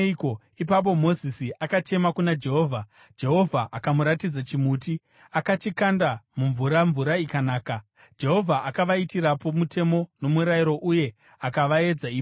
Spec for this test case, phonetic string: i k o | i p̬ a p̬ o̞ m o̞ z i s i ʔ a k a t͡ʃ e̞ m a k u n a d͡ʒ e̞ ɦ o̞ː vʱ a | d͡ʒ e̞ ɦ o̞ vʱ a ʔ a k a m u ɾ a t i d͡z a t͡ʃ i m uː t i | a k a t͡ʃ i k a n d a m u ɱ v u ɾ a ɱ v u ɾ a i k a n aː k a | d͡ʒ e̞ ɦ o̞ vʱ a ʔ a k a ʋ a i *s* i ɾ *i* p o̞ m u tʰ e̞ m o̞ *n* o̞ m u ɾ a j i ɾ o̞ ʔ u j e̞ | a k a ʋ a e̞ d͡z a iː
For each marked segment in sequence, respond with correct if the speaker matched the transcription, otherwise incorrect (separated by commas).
incorrect, incorrect, correct